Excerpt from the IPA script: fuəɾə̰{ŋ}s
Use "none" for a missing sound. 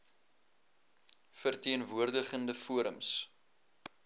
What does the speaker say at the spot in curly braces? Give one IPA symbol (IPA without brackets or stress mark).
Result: m